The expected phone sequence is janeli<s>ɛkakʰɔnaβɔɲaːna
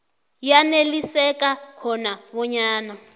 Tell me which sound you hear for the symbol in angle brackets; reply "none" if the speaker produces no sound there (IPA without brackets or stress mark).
s